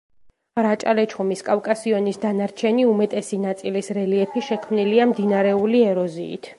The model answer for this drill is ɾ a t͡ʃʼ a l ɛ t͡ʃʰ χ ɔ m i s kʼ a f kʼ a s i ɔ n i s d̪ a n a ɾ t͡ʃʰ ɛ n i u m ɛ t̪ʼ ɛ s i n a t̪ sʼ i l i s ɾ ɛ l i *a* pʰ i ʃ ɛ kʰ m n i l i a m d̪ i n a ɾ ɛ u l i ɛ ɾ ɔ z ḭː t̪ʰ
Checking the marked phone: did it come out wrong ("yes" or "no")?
yes